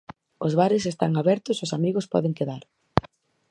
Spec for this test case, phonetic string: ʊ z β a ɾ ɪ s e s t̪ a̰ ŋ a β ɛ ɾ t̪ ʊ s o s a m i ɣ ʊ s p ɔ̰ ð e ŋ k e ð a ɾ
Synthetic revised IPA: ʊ z β a ɾ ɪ s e s t̪ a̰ ŋ a β ɛ ɾ t̪ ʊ s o s a m i ɣ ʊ s p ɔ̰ ð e ŋ k e ð a ɾ